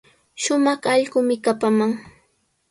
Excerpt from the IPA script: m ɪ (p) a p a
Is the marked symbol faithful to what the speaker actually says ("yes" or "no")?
no